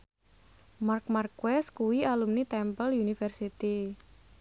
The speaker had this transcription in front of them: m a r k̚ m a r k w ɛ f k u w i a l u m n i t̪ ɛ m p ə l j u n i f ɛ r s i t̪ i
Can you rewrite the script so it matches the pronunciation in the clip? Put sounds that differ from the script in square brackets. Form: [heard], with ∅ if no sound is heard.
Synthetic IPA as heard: m a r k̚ m a r k w ɛ [s] k u w i a l u m n i t̪ ɛ m p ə l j u n i f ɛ r s i t̪ i